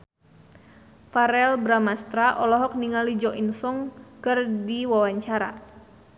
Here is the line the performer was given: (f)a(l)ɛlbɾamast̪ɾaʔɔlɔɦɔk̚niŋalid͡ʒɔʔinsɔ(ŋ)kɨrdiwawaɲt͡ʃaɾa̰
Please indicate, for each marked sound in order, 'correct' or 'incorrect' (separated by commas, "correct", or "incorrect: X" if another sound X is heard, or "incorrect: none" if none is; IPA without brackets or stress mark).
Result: correct, incorrect: ɾ, correct